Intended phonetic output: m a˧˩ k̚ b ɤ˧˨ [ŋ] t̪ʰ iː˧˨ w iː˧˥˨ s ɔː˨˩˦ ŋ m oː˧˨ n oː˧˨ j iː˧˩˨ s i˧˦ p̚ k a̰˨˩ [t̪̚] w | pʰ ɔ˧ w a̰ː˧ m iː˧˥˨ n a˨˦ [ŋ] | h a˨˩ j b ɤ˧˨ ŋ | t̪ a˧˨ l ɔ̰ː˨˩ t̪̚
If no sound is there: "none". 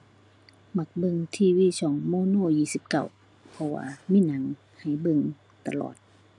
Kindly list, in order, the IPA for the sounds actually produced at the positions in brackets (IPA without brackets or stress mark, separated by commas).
ŋ, none, ŋ